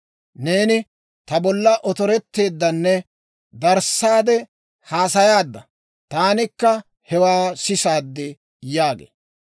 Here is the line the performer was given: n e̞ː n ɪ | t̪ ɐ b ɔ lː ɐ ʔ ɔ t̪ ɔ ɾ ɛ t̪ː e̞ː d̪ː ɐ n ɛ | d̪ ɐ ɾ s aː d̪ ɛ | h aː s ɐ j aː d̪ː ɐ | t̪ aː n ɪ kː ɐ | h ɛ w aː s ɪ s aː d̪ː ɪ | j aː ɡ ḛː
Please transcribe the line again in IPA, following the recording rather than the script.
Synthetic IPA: n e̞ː n ɪ | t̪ ɐ b ɔ lː ɐ ʔ ɔ t̪ ɔ ɾ ɛ t̪ː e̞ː d̪ː ɐ nː ɛ | d̪ ɐ ɾ s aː d̪ ɛ | h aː s ɐ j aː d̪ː ɐ | t̪ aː n ɪ kː ɐ | h ɛ w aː s ɪ s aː d̪ː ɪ | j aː ɡ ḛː